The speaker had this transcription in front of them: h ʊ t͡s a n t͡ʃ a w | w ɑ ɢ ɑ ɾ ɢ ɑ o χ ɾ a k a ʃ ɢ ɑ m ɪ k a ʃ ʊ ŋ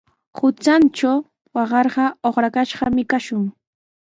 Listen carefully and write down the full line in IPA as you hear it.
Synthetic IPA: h ʊ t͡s a n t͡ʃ a w | w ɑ ɢ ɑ ɾ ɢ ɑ o χ ɾ a k a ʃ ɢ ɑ m ɪ k a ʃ ʊ ŋ